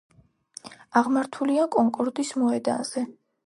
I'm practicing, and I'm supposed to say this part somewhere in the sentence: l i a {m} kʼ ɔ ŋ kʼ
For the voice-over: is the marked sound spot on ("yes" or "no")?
no